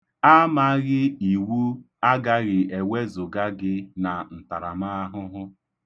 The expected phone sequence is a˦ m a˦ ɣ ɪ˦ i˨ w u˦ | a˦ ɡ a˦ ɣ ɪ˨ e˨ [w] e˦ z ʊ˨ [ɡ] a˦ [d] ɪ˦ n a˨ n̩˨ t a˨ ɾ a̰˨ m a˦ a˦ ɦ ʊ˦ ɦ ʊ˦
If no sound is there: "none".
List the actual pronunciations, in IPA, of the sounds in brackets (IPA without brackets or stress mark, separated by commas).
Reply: w, ɡ, ɡ